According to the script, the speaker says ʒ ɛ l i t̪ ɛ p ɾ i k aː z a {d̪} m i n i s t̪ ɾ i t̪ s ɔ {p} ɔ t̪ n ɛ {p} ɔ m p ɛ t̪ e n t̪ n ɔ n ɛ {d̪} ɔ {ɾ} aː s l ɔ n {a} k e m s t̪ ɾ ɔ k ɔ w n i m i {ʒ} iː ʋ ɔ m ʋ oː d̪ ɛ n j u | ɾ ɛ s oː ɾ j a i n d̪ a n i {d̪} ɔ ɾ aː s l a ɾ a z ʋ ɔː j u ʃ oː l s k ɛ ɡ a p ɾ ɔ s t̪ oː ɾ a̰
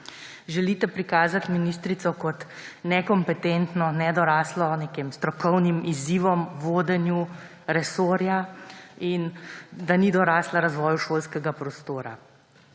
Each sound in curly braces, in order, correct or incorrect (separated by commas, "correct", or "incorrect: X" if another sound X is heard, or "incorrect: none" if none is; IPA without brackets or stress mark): incorrect: t̪, incorrect: k, incorrect: k, correct, correct, incorrect: e, incorrect: z, correct